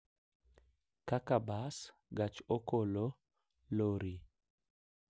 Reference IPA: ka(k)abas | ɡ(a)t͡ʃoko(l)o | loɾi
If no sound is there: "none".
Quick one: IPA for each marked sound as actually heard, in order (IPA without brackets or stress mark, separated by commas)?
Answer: k, a, l